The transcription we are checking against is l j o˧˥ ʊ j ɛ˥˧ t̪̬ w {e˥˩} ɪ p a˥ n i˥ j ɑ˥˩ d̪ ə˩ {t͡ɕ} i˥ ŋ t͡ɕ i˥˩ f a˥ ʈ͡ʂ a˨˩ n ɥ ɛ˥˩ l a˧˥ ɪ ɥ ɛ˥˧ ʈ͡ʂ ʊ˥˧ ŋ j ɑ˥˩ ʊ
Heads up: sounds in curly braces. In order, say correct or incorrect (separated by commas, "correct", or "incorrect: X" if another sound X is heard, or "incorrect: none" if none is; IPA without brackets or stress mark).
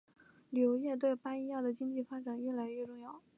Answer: correct, correct